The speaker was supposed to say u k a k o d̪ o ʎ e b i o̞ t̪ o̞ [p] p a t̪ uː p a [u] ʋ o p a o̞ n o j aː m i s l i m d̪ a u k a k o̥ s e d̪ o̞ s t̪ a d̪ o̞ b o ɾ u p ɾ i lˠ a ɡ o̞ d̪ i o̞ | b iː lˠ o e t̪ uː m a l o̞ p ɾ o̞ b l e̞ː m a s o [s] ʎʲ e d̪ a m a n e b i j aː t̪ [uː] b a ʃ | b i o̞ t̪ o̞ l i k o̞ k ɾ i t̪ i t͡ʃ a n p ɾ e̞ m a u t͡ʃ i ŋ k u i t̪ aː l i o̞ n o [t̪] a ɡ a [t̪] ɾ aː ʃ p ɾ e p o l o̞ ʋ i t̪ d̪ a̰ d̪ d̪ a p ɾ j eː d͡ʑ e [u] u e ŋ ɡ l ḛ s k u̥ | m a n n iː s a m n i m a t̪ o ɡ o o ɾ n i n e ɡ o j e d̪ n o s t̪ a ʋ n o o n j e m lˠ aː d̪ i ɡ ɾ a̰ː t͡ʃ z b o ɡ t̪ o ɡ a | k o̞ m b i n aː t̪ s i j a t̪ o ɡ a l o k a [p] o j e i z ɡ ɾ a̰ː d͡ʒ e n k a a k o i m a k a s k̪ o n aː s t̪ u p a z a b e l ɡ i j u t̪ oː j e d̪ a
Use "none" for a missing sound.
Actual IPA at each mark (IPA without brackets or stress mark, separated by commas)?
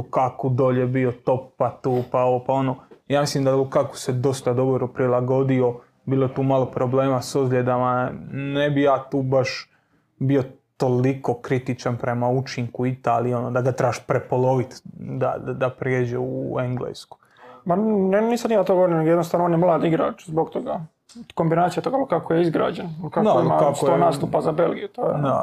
p, o, z, uː, d̪, t̪, u, k